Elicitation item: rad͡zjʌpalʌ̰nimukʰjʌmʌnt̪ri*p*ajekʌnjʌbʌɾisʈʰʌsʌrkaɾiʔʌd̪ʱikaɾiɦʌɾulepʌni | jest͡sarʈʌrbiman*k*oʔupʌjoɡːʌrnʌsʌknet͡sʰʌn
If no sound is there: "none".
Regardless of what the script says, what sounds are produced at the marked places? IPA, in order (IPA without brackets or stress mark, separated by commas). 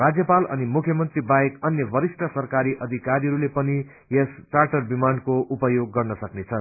b, k